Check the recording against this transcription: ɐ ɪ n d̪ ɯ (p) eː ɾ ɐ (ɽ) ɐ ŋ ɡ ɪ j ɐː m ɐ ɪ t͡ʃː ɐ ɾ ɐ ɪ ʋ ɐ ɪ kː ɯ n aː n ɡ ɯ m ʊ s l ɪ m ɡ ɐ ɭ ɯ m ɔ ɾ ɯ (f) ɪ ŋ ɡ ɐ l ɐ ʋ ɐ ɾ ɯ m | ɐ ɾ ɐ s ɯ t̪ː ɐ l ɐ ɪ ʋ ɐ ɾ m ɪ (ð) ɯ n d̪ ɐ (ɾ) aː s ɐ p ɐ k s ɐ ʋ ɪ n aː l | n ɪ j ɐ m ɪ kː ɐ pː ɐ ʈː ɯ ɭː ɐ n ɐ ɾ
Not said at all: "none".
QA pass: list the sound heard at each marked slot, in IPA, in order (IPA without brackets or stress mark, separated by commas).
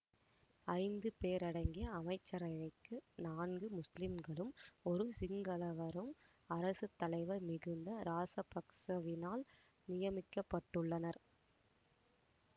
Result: p, ɽ, s, ɣ, ɾ